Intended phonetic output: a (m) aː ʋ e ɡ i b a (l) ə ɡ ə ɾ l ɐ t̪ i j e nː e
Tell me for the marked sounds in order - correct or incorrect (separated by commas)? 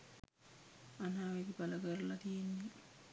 incorrect, correct